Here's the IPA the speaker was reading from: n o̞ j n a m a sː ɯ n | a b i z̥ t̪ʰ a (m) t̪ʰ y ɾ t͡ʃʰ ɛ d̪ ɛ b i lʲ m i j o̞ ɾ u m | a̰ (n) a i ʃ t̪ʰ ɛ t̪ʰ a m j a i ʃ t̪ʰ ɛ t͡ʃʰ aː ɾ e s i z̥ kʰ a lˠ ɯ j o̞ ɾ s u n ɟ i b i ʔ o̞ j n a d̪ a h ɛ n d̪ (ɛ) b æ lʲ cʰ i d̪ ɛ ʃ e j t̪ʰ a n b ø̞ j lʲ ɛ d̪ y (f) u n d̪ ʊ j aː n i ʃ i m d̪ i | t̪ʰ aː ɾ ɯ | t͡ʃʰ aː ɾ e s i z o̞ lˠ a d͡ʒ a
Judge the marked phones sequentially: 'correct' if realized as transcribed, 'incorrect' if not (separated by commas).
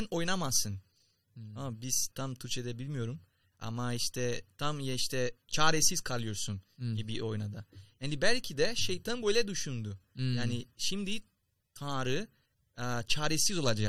correct, incorrect, incorrect, incorrect